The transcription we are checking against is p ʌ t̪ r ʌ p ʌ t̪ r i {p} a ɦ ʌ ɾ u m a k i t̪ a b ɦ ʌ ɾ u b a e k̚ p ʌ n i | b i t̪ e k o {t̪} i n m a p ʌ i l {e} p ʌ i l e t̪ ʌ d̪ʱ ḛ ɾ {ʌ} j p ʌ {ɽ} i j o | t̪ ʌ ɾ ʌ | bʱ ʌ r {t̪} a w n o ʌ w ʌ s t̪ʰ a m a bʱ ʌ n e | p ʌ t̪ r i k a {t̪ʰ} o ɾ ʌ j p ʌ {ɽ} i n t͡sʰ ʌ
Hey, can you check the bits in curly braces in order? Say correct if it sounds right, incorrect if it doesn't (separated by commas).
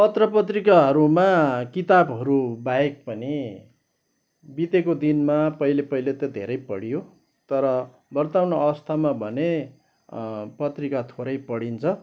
incorrect, incorrect, correct, correct, correct, correct, correct, correct